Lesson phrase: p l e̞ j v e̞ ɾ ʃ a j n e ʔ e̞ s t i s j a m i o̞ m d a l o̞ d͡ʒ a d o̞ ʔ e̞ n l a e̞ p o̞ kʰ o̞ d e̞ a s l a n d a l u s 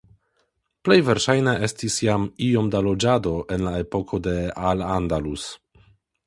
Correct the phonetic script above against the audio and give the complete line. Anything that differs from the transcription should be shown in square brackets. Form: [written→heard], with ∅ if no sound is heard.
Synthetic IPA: p l e̞ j v e̞ ɾ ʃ a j n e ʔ e̞ s t i s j a m i o̞ m d a l o̞ d͡ʒ a d o̞ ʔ e̞ n l a e̞ p o̞ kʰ o̞ d e̞ a [s→∅] l a n d a l u s